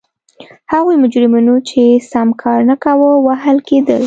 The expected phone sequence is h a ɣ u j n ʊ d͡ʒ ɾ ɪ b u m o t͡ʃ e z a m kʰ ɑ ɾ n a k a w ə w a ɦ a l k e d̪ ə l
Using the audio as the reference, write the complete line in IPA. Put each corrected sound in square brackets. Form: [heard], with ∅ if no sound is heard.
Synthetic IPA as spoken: h a ɣ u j [m] ʊ d͡ʒ ɾ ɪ [m] u [n] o t͡ʃ e [s] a m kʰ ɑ ɾ n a k a w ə w a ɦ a l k e d̪ ə l